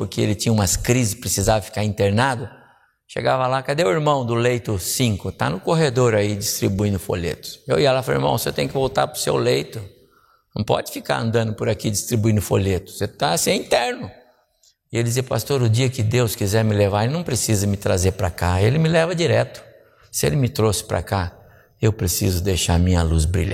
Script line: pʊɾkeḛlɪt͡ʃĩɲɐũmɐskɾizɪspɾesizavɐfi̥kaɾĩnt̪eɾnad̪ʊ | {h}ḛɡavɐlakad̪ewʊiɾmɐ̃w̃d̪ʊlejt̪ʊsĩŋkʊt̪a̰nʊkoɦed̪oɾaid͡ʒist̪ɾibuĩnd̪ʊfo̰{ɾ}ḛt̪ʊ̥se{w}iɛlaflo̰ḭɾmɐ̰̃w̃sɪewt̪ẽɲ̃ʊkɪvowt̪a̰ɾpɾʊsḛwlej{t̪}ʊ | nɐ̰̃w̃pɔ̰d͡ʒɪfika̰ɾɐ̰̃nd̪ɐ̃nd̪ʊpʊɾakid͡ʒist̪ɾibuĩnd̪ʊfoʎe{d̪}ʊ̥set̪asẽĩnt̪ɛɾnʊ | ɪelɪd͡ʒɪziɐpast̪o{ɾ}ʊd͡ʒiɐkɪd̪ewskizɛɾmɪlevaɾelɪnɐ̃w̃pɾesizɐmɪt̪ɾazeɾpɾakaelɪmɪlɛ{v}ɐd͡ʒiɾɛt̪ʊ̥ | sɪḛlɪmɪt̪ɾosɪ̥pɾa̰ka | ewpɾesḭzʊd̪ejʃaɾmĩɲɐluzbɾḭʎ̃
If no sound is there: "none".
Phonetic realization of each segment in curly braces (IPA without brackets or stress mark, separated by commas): ʃ, ʎ, w, t̪, t̪, ɾ, v